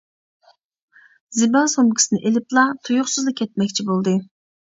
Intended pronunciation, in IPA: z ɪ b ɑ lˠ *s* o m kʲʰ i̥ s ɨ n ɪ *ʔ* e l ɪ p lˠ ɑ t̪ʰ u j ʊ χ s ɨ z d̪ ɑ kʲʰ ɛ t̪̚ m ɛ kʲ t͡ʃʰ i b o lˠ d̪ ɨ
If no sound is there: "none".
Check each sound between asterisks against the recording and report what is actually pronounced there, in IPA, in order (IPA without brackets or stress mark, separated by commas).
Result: s, ʔ